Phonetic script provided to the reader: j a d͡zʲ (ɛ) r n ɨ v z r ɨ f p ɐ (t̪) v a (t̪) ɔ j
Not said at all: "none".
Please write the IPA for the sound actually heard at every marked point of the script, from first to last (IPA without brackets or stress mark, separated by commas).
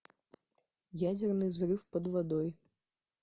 ɛ, d̪, d̪